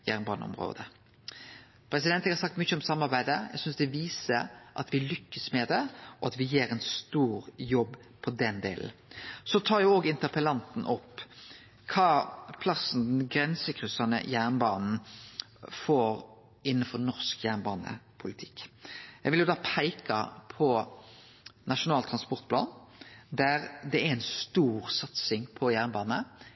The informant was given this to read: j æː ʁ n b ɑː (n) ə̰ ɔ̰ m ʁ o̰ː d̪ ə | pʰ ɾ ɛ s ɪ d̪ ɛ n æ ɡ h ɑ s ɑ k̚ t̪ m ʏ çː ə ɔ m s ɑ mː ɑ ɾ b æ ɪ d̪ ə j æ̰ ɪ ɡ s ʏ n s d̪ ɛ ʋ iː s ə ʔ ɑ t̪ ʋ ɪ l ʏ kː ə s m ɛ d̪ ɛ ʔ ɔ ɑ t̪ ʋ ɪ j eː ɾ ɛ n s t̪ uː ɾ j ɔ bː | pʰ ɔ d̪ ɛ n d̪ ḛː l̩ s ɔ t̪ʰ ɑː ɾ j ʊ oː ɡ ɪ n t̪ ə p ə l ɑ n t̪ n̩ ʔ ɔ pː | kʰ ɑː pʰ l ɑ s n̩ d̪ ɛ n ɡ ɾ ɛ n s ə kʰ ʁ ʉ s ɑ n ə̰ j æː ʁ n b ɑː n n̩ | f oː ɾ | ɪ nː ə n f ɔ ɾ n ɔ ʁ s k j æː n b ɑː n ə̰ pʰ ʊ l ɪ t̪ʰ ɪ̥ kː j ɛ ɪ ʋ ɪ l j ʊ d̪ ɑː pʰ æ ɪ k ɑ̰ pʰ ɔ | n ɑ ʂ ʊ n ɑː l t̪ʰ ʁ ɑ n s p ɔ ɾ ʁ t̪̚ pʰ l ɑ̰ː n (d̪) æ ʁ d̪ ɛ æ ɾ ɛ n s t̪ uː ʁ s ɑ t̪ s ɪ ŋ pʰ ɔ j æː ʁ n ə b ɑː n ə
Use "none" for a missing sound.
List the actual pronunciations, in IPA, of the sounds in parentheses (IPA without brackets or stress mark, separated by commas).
n, d̪